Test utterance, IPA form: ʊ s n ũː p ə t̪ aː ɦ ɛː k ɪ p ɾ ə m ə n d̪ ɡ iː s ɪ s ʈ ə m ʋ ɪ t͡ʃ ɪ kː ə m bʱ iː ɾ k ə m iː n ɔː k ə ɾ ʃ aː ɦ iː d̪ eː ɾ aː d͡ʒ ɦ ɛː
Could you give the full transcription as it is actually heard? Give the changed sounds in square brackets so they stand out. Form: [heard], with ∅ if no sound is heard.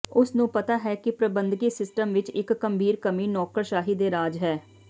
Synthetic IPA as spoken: ʊ s n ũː p ə t̪ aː ɦ ɛː k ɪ p ɾ ə [b] ə n d̪ ɡ iː s ɪ s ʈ ə m ʋ ɪ t͡ʃ ɪ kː ə m bʱ iː ɾ k ə m iː n ɔː k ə ɾ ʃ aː ɦ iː d̪ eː ɾ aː d͡ʒ ɦ ɛː

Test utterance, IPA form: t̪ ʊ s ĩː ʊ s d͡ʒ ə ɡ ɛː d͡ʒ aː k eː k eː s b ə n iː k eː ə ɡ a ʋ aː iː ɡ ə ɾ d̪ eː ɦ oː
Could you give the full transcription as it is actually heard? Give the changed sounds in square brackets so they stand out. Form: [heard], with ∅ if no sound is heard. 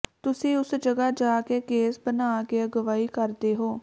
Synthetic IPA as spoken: t̪ ʊ s ĩː ʊ s d͡ʒ ə ɡ [aː] d͡ʒ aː k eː k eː s b ə n [aː] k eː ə ɡ [ə] ʋ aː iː [k] ə ɾ d̪ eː ɦ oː

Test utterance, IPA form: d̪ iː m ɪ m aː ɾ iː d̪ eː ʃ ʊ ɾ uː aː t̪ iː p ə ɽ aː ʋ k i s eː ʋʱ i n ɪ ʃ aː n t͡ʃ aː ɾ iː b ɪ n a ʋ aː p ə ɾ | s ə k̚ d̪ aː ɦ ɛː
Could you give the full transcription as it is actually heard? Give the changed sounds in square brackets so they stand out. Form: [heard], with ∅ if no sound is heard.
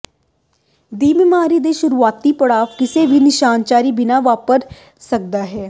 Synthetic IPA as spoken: d̪ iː m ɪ m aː ɾ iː d̪ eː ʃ ʊ ɾ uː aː t̪ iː p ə ɽ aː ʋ k [ɪ] s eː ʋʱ i n ɪ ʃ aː n t͡ʃ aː ɾ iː b ɪ n a ʋ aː p ə ɾ | s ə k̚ d̪ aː ɦ ɛː

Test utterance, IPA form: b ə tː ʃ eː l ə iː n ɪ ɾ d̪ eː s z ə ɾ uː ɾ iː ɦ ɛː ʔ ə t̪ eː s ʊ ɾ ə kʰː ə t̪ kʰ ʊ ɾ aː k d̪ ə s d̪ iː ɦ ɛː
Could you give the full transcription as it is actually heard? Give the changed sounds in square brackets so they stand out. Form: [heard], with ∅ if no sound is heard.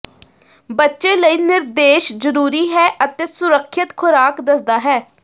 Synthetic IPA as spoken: b ə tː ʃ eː l ə iː n ɪ ɾ d̪ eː [ʃ] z ə ɾ uː ɾ iː ɦ ɛː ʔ ə t̪ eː s ʊ ɾ ə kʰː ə t̪ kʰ ʊ ɾ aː k d̪ ə s d̪ [aː] ɦ ɛː

